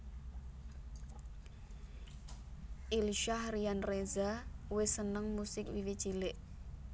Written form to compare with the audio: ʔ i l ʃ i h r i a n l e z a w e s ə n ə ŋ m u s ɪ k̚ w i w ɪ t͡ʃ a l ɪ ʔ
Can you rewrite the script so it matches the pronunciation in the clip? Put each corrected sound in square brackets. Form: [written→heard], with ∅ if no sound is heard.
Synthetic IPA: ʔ i l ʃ [i→a] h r i a n [l→r] e z a w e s ə n ə ŋ m u s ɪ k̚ w i w [ɪ→i] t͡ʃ [a→i] l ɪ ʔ